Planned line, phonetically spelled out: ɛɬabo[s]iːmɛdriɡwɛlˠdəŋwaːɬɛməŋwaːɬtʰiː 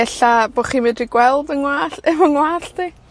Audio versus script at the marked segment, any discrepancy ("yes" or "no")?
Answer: yes